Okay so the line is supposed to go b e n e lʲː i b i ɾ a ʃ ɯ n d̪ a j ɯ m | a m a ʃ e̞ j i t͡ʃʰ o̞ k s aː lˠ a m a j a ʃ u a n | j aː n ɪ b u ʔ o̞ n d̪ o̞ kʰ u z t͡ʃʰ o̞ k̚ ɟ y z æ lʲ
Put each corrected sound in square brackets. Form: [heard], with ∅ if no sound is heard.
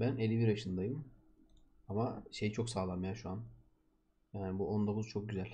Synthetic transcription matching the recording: b [æ] n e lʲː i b i ɾ a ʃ ɯ n d̪ a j ɯ m | a m a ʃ e̞ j i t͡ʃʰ o̞ k s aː lˠ a m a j a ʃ u a n | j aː n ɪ b u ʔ o̞ n d̪ o̞ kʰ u z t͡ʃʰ o̞ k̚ ɟ y z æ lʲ